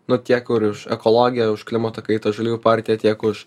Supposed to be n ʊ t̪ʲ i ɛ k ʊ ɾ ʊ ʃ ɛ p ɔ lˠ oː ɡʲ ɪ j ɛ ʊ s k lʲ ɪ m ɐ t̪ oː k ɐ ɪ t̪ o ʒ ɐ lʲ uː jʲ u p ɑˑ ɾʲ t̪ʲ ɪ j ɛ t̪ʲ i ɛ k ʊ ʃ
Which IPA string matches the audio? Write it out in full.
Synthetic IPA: n ʊ t̪ʲ i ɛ k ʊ ɾ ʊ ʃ ɛ k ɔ lˠ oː ɡʲ ɪ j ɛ ʊ ʃ k lʲ ɪ m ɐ t̪ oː k ɐ ɪ t̪ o ʒ ɐ lʲ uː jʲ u p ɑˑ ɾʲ t̪ʲ ɪ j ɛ t̪ʲ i ɛ k ʊ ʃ